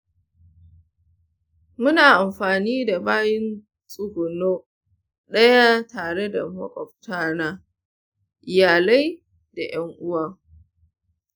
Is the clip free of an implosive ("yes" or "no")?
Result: no